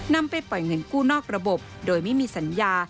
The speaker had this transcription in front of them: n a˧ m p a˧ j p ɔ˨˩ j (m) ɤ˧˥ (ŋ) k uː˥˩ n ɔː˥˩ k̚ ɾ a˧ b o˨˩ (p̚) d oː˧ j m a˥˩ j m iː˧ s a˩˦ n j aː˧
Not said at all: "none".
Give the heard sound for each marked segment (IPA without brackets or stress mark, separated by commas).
ŋ, n, p̚